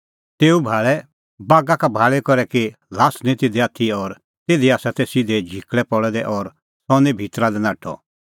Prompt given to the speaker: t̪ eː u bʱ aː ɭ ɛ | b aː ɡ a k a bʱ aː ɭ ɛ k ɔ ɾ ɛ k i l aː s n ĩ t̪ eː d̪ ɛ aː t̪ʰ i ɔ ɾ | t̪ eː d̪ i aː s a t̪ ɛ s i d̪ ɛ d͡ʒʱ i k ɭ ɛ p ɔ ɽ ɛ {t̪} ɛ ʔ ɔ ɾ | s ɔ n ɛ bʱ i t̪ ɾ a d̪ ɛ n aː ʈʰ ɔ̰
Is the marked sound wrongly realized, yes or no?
yes